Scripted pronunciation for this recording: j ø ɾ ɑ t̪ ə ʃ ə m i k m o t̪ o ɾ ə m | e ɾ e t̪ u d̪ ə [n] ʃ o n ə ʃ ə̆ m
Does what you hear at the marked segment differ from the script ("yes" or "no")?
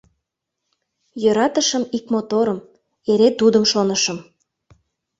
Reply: yes